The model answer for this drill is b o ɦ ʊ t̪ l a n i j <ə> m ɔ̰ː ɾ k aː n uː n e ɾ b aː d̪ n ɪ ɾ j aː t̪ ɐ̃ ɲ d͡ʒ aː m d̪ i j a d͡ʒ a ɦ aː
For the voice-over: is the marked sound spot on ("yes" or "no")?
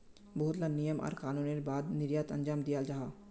yes